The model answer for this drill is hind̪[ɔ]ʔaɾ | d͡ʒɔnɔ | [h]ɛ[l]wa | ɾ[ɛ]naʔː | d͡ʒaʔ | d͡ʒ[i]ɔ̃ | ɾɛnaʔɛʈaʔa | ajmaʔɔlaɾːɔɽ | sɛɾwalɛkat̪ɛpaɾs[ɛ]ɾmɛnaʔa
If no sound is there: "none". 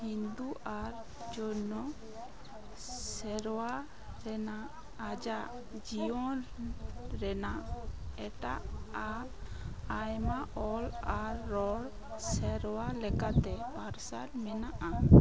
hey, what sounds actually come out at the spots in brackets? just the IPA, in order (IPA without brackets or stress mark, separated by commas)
u, s, ɾ, ɛ, i, a